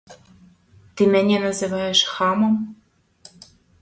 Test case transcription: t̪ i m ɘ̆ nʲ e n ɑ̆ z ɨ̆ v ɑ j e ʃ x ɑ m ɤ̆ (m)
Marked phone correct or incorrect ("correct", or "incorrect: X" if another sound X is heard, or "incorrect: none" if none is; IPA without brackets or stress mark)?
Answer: correct